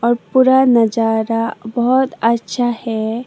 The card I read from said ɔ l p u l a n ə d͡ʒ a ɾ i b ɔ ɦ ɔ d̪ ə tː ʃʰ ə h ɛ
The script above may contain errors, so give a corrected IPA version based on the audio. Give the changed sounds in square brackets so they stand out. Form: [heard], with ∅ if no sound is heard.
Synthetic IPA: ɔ [ɾ] p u [ɾ] a n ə d͡ʒ a ɾ [a] b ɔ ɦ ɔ [t̪] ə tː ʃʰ [a] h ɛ